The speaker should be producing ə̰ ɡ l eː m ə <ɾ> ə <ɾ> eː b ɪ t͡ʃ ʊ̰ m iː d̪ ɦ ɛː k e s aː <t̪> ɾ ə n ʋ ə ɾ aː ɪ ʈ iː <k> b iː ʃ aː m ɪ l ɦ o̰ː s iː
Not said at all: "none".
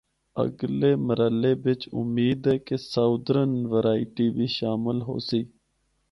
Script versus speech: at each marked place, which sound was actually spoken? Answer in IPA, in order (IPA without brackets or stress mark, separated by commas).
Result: ɾ, l, d̪, none